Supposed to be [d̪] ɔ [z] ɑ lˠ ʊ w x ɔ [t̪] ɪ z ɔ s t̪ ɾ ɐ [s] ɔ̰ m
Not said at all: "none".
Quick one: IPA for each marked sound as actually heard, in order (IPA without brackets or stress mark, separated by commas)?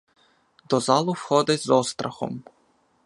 d̪, z, d̪, x